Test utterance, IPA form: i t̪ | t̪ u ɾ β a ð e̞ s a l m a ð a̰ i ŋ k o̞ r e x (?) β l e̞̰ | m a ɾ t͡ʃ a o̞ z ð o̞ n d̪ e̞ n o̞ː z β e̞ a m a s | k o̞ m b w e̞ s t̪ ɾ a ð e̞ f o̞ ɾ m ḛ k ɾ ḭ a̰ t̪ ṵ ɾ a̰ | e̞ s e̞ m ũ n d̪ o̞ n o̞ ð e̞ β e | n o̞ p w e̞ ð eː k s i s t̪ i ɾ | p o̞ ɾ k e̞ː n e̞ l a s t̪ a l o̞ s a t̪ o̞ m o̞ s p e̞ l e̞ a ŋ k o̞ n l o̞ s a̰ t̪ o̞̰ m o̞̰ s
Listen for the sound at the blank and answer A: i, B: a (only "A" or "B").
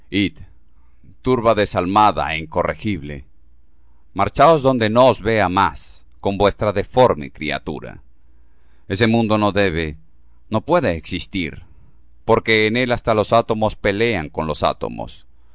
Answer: A